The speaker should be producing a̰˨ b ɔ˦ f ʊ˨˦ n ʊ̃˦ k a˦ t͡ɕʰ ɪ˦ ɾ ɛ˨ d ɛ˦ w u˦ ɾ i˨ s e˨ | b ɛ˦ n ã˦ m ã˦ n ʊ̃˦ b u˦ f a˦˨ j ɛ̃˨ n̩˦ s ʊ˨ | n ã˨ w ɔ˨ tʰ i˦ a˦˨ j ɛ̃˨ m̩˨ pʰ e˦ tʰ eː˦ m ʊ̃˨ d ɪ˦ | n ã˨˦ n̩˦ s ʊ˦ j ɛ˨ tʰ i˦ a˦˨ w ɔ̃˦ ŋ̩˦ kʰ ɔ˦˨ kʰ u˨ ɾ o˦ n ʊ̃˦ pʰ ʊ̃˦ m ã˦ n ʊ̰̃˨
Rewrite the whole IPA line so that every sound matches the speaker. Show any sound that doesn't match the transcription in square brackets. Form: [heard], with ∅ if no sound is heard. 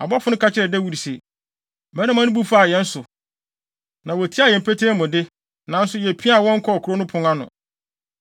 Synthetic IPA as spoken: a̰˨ b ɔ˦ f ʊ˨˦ n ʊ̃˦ k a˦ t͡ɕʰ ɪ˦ ɾ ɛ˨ d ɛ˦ w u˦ ɾ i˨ s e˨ | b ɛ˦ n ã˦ m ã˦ n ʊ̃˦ b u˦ f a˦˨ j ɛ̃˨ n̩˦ s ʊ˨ | n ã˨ w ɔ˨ tʰ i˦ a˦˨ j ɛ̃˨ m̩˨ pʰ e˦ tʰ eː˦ m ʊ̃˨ d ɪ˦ | n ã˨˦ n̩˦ s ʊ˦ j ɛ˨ [pʰ] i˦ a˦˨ w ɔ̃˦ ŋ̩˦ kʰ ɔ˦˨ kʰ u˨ ɾ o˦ n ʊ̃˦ pʰ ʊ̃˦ [ŋ] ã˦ n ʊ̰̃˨

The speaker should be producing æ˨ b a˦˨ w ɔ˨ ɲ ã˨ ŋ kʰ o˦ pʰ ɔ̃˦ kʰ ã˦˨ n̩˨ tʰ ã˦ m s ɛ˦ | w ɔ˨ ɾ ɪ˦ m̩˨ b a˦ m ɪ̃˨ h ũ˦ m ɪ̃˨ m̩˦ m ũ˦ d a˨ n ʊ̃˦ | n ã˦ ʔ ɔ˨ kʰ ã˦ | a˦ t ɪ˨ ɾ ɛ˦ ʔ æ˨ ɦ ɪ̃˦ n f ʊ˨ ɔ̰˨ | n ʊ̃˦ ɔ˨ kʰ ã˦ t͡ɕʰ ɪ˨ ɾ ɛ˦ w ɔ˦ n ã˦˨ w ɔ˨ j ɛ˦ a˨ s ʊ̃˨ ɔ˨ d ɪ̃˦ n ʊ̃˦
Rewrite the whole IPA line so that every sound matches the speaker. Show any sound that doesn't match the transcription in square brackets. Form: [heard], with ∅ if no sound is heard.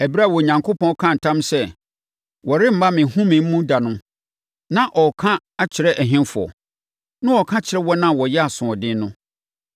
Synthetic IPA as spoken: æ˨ b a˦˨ w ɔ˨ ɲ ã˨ ŋ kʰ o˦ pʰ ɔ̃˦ kʰ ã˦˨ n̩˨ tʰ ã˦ m s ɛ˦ | w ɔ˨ ɾ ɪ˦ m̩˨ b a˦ m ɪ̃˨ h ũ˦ m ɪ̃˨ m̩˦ m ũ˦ d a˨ n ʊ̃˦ | n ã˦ ʔ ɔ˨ kʰ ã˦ | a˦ [t͡ɕʰ] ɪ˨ ɾ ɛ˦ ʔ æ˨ ɦ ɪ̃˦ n f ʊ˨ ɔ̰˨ | n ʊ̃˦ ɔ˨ kʰ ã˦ t͡ɕʰ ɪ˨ ɾ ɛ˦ w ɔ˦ n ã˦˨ w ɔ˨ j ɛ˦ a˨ s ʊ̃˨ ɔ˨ d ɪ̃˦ n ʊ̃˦

